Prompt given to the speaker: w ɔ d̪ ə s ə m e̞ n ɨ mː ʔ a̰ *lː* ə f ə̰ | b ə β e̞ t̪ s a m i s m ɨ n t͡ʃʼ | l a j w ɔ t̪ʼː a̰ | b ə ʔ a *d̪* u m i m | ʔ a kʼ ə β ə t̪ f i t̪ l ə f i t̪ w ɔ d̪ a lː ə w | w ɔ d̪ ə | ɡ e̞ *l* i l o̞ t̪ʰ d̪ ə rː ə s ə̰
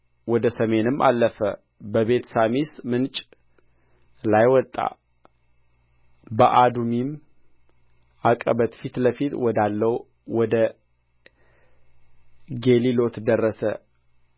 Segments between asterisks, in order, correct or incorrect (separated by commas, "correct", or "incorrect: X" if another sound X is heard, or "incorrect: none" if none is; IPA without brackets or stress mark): correct, correct, correct